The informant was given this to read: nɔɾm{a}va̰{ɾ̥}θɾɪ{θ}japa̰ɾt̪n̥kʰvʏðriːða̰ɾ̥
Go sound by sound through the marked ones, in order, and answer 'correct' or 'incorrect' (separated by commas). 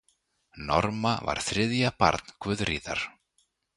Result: correct, correct, incorrect